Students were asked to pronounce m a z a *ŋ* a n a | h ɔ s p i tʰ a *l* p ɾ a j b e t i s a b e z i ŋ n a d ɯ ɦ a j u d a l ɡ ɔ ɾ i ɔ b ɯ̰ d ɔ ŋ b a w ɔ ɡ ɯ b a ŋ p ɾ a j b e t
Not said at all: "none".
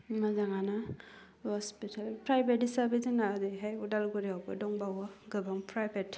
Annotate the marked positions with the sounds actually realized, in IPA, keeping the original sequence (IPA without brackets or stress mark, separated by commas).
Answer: ŋ, l